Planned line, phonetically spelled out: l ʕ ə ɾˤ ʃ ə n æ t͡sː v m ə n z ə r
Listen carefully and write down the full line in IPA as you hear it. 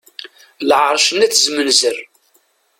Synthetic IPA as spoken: l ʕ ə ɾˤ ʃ ə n æ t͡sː z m ə n z ə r

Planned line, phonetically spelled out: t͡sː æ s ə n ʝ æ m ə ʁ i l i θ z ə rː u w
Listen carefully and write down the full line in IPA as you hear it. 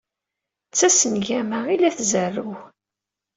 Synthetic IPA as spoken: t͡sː æ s ə n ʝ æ m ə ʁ i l æ θ z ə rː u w

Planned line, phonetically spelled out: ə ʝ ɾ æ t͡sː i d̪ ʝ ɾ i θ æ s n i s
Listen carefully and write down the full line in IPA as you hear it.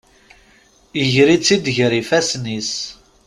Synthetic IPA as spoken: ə ʝ ɾ i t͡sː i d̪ ʝ ɾ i f æ s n i s

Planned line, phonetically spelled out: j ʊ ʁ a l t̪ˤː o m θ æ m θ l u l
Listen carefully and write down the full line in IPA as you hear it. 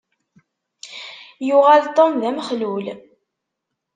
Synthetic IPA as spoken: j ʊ ʁ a l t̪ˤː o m ð æ m χ l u l

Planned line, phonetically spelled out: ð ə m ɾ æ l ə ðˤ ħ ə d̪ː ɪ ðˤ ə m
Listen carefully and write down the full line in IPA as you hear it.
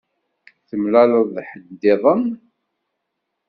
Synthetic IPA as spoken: θ ə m l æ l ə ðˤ ħ ə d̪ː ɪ ðˤ ə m

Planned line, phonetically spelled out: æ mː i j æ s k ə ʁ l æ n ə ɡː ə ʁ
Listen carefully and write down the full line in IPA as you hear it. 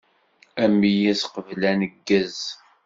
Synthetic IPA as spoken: æ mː i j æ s q ə v l æ n ə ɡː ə z

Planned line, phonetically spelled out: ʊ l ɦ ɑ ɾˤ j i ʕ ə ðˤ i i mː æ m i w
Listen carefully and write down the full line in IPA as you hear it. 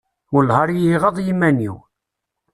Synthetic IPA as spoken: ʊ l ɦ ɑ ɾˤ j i ʁ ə ðˤ j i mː æ n i w

